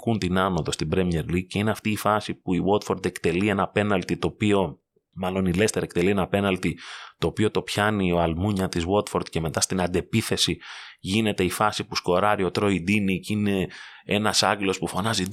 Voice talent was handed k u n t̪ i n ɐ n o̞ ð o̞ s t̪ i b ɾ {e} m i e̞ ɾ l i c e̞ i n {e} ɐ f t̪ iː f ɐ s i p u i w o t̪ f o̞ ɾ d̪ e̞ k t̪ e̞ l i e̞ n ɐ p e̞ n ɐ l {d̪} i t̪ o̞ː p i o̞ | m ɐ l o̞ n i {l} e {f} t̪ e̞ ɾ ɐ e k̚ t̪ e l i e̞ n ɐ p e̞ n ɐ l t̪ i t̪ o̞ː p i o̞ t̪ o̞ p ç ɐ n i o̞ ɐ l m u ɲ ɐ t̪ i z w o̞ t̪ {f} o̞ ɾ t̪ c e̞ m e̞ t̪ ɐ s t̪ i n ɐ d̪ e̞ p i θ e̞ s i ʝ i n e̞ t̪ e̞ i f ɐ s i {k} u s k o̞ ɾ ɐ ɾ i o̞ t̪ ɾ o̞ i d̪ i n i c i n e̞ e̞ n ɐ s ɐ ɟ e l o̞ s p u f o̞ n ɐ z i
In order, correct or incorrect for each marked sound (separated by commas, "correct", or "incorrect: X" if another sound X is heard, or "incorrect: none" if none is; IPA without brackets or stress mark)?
correct, correct, incorrect: t̪, correct, incorrect: s, correct, incorrect: p